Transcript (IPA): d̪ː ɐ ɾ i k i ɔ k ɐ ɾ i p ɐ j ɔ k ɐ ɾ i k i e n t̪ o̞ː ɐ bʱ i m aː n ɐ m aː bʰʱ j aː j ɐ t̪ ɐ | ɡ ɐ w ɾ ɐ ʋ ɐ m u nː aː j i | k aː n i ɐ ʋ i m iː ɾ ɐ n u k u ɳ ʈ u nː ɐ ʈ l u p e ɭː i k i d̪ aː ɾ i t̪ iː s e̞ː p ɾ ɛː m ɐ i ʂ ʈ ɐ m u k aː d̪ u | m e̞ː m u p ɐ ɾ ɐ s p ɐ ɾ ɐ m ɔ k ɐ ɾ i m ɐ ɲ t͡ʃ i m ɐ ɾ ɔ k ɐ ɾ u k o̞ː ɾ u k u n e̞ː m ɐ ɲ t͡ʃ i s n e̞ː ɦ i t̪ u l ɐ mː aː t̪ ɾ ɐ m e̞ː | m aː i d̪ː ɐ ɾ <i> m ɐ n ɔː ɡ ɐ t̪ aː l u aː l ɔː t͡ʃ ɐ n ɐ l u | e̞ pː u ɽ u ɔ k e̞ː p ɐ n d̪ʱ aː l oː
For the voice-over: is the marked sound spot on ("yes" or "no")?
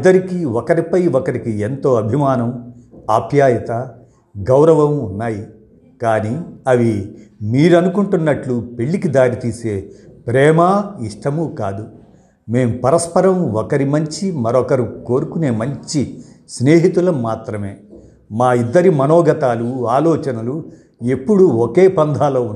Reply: yes